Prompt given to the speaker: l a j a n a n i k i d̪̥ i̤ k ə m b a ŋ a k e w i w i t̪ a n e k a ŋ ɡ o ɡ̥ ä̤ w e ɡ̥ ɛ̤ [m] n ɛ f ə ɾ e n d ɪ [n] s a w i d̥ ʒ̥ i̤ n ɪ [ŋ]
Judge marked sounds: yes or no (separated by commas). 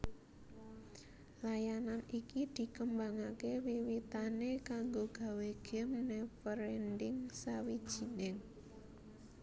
yes, no, yes